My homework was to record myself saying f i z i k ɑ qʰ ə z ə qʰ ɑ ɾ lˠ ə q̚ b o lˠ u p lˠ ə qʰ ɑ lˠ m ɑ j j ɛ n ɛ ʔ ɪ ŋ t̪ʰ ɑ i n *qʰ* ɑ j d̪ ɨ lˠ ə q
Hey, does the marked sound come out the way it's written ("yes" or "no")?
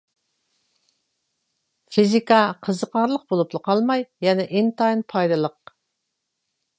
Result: no